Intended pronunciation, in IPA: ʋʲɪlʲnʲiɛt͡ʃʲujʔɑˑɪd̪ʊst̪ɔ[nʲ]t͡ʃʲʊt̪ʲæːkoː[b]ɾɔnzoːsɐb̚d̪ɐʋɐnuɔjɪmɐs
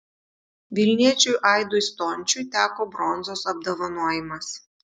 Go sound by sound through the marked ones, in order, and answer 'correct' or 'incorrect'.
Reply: correct, correct

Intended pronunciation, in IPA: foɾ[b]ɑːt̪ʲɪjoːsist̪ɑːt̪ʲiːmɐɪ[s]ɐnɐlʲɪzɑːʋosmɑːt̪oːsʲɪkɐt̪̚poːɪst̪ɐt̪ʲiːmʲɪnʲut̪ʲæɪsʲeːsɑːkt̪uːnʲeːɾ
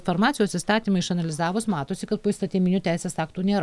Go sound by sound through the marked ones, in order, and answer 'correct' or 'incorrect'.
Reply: incorrect: m, incorrect: ʃ

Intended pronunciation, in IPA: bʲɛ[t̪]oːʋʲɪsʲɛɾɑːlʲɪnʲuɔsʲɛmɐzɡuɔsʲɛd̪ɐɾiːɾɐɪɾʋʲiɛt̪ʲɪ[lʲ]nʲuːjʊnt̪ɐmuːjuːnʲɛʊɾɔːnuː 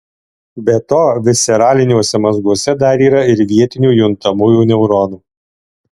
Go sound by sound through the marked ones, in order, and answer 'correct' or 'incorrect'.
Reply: correct, incorrect: none

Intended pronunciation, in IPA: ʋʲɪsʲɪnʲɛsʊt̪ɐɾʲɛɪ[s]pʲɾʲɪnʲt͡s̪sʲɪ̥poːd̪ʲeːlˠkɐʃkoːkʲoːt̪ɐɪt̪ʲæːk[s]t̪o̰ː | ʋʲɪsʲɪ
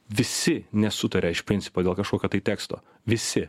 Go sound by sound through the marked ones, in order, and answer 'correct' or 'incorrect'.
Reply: incorrect: ʃ, correct

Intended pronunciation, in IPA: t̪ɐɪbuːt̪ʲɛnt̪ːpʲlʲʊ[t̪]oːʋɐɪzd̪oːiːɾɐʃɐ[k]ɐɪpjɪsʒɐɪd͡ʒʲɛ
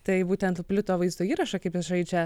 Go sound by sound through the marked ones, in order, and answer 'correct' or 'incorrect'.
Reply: correct, correct

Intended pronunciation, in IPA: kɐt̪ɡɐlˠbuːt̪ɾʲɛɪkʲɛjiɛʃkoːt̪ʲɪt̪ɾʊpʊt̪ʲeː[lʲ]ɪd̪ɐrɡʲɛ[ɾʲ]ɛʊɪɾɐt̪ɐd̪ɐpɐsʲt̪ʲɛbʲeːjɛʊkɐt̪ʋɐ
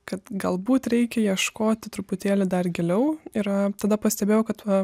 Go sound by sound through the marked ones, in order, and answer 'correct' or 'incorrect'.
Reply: correct, incorrect: lʲ

